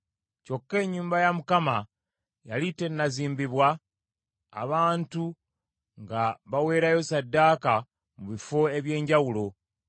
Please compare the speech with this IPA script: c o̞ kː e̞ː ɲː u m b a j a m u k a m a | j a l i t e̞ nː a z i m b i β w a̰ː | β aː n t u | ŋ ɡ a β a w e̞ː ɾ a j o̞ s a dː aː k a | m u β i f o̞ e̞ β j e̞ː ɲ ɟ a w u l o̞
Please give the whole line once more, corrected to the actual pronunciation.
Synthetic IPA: c o̞ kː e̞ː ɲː uː m b a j a m u k a m a | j a l i t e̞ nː a z iː m b i β w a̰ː | β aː n t u | ŋ ɡ a β a w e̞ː ɾ a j o̞ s a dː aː k a | m u β i f o̞ e̞ β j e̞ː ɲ ɟ a w u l o̞